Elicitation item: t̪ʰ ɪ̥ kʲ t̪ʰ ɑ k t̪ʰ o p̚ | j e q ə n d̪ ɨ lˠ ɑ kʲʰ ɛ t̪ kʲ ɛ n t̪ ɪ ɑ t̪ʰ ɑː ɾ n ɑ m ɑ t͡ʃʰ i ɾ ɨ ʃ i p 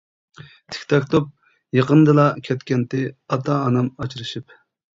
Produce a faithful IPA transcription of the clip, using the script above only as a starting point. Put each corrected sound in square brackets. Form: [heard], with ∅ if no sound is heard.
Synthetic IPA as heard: t̪ʰ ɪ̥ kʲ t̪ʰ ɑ k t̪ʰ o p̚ | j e q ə n d̪ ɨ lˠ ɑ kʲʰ ɛ t̪ kʲ ɛ n t̪ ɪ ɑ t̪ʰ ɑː [∅] n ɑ m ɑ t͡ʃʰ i ɾ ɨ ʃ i p